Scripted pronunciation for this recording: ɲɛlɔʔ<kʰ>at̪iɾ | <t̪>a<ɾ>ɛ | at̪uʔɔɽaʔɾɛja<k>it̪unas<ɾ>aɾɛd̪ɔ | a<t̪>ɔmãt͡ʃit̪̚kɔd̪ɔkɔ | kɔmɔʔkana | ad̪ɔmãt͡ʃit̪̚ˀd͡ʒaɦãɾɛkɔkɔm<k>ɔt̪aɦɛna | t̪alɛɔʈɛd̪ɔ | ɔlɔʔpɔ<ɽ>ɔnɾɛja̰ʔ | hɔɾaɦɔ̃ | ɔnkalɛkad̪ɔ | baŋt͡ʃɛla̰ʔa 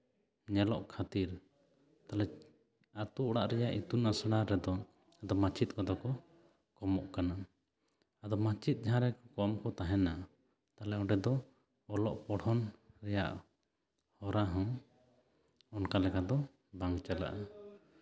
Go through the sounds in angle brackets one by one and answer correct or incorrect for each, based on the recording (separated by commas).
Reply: correct, correct, incorrect, incorrect, incorrect, incorrect, correct, correct